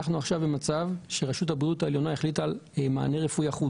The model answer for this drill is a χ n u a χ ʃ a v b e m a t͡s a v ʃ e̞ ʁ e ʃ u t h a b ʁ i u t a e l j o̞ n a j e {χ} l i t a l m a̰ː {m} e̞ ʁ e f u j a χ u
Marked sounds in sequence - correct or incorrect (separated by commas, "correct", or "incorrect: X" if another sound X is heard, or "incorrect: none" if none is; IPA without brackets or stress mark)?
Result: correct, incorrect: n